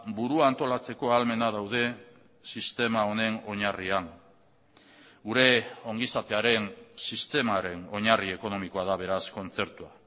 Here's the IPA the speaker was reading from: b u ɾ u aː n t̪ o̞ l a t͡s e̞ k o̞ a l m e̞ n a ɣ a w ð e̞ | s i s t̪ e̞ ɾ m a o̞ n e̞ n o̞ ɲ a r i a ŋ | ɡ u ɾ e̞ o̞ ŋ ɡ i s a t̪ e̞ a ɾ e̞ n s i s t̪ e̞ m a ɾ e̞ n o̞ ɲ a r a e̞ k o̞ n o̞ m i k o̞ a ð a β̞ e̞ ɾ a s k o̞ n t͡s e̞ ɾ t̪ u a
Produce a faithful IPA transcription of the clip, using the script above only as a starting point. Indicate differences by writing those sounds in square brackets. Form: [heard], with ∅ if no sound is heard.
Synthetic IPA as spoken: b u ɾ u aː n t̪ o̞ l a t͡s e̞ k o̞ a l m e̞ n a [ð] a w ð e̞ | s i s t̪ e̞ [∅] m a o̞ n e̞ n o̞ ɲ a r i a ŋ | ɡ u ɾ e̞ o̞ ŋ ɡ i s a t̪ e̞ a ɾ e̞ n s i s t̪ e̞ m a ɾ e̞ n o̞ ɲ a r [i] e̞ k o̞ n o̞ m i k o̞ a ð a β̞ e̞ ɾ a s k o̞ n t͡s e̞ ɾ t̪ u a